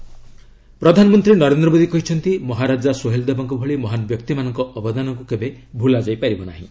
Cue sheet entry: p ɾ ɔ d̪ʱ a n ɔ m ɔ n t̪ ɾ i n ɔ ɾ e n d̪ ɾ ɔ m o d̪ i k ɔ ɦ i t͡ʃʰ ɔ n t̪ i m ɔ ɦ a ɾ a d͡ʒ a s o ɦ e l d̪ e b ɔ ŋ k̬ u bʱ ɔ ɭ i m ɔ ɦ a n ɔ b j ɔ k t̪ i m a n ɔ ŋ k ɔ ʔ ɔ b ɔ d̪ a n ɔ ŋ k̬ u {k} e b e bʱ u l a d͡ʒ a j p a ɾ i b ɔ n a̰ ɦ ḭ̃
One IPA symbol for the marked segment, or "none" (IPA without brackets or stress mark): k